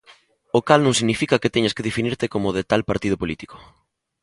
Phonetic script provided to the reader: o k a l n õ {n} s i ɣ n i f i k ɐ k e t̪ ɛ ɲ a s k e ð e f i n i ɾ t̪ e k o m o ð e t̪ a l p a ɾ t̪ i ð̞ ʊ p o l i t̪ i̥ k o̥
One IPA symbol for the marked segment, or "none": ŋ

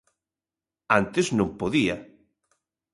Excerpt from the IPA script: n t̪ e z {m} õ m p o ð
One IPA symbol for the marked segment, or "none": n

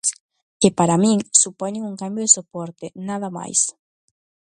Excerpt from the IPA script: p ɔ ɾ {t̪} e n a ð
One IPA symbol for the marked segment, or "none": t̪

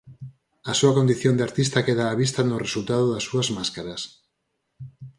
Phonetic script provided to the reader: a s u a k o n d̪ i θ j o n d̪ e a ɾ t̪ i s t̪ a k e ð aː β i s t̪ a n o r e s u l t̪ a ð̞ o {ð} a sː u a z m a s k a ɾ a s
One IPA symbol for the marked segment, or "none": ð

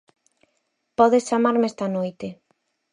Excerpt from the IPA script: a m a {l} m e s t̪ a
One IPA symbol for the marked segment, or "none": ɾ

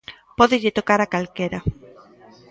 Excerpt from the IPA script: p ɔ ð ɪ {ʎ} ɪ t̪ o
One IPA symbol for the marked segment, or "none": ʎ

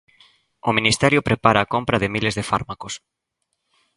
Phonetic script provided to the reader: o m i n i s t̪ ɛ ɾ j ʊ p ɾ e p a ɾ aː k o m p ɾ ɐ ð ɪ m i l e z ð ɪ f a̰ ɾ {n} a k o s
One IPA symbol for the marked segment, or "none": m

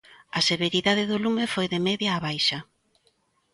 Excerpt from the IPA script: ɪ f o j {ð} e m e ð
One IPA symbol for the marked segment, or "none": ð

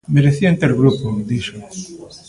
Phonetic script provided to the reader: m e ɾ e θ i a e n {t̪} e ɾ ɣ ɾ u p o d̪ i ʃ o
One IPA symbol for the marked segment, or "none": t̪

